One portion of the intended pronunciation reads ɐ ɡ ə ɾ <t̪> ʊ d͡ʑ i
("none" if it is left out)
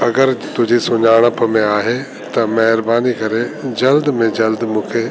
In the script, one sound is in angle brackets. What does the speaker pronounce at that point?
t̪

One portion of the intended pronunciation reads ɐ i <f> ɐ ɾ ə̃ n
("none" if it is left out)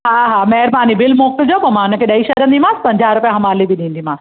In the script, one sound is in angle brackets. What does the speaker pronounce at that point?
ʃ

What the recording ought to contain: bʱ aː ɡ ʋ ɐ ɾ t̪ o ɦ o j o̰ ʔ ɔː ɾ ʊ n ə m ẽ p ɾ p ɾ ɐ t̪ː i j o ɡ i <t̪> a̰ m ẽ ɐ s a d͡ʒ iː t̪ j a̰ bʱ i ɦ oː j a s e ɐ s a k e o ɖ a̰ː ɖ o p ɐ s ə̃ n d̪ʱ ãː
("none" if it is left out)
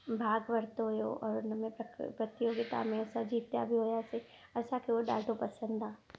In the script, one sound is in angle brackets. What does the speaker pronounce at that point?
t̪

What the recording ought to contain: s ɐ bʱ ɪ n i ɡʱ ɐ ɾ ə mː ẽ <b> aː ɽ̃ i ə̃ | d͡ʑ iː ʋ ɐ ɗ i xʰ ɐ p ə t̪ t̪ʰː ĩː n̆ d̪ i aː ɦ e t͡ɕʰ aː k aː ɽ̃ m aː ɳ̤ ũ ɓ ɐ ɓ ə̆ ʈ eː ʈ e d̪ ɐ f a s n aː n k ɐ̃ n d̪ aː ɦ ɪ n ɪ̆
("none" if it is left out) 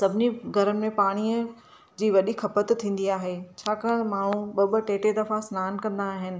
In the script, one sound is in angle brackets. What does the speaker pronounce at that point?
p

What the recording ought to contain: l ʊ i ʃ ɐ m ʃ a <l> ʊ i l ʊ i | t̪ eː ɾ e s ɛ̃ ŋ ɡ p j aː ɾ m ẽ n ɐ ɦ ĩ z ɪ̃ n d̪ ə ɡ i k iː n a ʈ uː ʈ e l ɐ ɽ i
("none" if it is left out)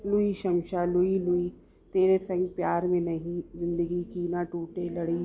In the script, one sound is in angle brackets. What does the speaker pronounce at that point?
l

